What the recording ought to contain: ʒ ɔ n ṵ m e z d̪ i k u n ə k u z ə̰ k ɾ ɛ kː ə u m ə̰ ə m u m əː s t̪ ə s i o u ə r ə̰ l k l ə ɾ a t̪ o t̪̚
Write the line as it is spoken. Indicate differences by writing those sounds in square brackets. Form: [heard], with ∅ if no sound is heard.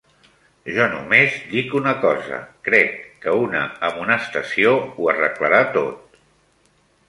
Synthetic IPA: ʒ ɔ n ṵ m e z d̪ i k u n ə k [ɔ] z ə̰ k ɾ ɛ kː ə u [n] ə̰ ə m u [n] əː s t̪ ə s i o u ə r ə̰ [∅] k l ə ɾ a t̪ o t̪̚